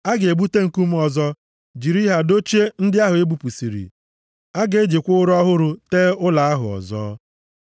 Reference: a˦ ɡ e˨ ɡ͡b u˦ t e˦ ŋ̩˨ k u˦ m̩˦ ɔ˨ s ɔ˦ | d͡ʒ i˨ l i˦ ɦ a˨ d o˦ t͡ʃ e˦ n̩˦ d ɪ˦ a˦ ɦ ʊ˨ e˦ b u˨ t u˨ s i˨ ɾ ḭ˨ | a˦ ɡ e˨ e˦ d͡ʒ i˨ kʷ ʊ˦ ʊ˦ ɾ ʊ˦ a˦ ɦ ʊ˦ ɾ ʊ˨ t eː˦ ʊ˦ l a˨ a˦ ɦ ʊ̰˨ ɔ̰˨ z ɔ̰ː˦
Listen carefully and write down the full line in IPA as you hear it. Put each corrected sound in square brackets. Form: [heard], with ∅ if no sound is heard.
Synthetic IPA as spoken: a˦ ɡ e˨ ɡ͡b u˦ t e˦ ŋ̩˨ k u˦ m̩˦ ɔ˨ [z] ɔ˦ | d͡ʒ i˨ [ɾ] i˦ ɦ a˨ d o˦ t͡ʃ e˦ n̩˦ d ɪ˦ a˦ ɦ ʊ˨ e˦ b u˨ [p] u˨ s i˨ ɾ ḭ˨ | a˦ ɡ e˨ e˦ d͡ʒ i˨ kʷ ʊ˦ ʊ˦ ɾ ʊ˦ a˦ ɦ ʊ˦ ɾ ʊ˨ t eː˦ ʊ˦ l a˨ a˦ ɦ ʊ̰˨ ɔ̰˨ z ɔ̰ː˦